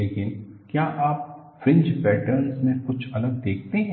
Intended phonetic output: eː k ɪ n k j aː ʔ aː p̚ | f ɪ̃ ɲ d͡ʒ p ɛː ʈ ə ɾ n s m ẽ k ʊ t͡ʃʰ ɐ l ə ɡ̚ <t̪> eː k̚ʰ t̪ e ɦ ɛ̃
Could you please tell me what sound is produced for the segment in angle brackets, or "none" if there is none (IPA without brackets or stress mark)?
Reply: d̪